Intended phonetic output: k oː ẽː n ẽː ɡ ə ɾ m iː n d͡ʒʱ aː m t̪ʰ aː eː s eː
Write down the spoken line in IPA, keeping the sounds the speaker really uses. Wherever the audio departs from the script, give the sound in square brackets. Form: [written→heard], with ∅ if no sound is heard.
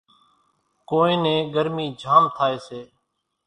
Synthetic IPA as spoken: k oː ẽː n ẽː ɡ ə ɾ m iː [n→∅] d͡ʒʱ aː m t̪ʰ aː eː s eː